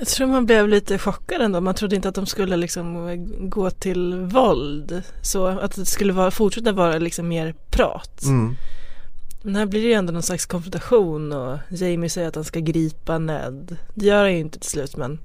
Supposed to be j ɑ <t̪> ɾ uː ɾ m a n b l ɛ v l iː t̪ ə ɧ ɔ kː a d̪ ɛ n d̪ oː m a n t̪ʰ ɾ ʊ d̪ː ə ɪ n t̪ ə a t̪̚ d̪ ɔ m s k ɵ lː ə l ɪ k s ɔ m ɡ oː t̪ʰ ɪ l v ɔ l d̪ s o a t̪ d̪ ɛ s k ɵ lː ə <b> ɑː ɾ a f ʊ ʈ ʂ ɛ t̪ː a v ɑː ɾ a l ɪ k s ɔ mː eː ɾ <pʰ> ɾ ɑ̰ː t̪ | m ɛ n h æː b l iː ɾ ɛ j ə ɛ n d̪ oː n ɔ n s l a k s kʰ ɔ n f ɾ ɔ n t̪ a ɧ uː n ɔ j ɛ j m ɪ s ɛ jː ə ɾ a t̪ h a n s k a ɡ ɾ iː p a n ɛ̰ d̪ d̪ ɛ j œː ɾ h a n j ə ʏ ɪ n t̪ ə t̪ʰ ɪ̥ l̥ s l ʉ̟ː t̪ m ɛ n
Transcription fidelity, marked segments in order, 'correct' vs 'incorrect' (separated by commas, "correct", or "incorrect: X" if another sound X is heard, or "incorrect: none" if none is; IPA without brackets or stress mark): incorrect: t̪ʰ, incorrect: v, correct